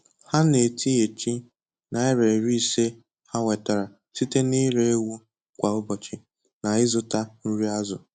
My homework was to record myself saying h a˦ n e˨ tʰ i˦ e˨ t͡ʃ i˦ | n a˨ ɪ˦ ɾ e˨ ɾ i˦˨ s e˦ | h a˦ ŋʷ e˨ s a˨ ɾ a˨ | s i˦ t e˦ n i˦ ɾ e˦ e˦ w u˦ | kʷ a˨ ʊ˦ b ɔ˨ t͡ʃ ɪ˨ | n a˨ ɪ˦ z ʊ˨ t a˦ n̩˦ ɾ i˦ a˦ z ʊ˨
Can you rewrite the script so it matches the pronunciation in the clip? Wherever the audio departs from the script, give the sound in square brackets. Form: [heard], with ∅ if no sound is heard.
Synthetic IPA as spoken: h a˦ n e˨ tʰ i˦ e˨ t͡ʃ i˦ | n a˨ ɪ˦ ɾ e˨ ɾ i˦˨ s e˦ | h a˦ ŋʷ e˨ [t] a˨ ɾ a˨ | s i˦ t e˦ n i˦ ɾ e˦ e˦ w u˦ | kʷ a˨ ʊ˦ b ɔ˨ t͡ʃ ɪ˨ | n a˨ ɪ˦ z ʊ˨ t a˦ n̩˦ ɾ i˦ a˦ z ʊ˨